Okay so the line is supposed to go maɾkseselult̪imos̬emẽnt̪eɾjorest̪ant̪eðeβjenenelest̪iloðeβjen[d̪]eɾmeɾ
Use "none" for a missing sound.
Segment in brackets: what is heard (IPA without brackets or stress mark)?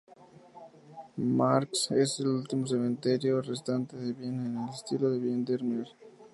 d̪